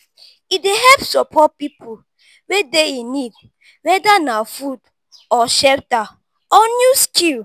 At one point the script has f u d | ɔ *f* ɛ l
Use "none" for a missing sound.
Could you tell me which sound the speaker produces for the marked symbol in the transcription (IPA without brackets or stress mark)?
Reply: ʃ